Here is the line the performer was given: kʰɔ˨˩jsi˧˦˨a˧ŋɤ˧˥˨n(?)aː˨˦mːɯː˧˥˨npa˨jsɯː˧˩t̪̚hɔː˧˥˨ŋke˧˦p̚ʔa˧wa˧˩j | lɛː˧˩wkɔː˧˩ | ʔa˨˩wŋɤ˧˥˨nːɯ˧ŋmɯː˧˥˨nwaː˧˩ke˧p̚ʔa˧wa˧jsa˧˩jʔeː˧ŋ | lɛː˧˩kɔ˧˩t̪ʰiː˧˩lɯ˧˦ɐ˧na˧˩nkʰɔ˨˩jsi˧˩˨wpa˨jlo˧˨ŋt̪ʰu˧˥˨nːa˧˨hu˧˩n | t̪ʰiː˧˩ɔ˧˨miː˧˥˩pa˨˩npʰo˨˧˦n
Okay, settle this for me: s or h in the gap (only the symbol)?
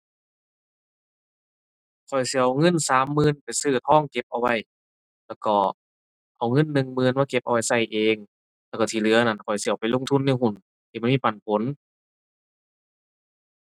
s